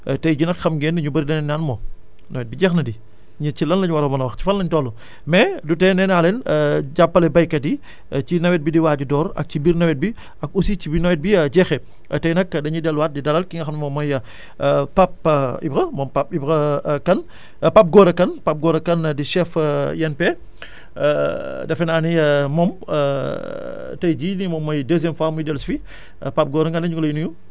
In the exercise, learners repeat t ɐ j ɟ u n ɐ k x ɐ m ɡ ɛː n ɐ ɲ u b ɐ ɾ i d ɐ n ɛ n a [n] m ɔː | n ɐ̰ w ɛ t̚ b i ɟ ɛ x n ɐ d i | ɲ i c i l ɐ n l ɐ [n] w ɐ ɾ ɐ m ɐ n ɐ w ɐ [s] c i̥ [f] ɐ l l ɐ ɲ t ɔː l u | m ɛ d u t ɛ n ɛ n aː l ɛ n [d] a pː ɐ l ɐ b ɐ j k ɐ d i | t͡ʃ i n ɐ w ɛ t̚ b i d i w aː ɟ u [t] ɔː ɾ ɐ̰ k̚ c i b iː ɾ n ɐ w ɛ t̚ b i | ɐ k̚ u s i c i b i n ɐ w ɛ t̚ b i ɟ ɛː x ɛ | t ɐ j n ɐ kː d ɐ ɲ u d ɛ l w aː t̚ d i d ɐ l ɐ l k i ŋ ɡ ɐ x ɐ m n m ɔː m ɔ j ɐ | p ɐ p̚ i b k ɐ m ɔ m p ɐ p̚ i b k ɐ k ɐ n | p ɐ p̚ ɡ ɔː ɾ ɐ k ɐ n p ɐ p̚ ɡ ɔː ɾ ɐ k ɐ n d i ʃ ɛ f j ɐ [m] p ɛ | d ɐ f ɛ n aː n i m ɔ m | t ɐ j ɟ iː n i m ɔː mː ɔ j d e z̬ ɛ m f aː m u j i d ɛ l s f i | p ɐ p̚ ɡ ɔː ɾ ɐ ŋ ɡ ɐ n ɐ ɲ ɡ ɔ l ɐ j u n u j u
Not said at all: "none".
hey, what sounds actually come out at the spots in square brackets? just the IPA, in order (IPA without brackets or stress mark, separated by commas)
n, ɲ, x, f, ɟ, d, n